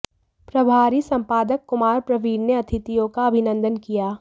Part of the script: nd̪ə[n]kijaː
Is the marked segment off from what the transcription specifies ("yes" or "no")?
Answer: no